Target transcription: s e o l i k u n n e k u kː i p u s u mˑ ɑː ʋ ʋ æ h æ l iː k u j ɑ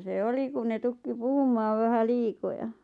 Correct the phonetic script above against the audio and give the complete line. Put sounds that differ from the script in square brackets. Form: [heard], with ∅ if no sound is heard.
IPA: s e o l i k u n n e [t] u kː i p u [h] u mˑ ɑː ʋ ʋ æ h æ l iː k [o] j ɑ